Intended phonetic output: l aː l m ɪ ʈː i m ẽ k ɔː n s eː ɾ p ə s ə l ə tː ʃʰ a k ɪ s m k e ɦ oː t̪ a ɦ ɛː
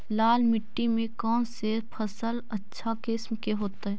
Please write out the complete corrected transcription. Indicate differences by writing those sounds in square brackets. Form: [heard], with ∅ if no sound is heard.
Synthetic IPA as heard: l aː l m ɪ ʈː i m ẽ k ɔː n s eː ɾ [pʰ] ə s ə l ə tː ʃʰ a k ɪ s m k e ɦ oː t̪ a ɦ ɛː

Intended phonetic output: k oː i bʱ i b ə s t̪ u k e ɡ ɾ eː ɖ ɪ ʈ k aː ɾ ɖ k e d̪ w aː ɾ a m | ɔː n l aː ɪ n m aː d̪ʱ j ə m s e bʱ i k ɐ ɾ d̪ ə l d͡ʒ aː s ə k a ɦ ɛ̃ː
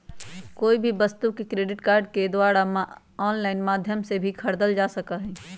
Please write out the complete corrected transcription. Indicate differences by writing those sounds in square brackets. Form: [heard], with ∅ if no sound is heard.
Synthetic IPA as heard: k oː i bʱ i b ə s t̪ u k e [k] ɾ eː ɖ ɪ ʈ k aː ɾ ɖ k e d̪ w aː ɾ a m | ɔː n l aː ɪ n m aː d̪ʱ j ə m s e bʱ i [kʰ] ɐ ɾ d̪ ə l d͡ʒ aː s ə k a ɦ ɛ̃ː

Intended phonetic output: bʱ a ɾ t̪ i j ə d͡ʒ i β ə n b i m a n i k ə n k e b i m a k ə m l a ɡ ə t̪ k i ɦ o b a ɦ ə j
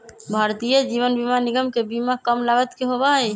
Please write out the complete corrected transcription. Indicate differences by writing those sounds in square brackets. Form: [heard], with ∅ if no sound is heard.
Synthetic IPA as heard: bʱ a ɾ t̪ i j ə d͡ʒ i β ə n b i m a n i [ɡ] ə [m] k e b i m a k ə m l a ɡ ə t̪ k [e] ɦ o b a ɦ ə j

